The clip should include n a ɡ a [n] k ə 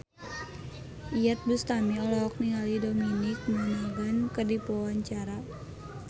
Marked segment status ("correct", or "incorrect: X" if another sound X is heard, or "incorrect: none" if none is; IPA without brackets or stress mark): correct